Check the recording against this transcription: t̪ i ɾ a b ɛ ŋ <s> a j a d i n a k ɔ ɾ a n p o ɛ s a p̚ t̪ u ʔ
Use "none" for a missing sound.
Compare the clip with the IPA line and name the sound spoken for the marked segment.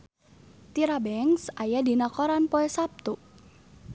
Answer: s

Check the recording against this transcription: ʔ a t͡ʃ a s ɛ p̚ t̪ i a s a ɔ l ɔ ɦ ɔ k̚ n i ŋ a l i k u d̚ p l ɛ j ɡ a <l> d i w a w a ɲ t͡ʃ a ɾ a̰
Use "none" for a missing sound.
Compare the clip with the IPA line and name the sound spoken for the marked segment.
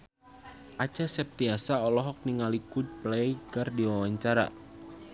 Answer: r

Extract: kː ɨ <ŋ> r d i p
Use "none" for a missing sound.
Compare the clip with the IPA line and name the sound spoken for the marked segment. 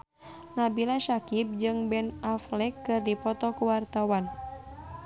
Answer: none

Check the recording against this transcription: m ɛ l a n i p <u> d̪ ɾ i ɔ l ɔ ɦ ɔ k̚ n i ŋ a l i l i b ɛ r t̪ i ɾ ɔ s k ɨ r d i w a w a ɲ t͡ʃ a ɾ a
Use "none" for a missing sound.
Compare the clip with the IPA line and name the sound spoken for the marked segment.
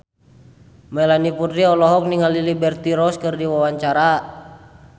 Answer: u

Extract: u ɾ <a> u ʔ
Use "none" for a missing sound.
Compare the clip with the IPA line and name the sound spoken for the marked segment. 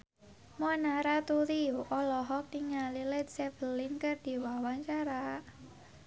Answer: i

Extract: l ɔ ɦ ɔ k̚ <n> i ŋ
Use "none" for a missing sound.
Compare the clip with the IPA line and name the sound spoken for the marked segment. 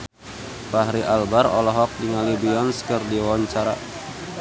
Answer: d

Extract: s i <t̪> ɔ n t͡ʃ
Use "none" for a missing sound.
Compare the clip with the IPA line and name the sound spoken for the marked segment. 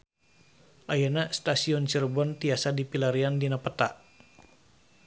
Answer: none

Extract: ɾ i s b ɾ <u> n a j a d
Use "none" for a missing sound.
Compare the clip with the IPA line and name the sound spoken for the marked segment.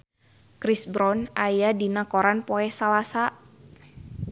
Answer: ɔ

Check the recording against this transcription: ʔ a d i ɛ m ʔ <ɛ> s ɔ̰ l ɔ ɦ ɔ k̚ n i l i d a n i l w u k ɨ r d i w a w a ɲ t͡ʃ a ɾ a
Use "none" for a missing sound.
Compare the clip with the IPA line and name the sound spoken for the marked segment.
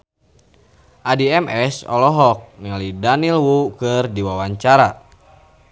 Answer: ɛ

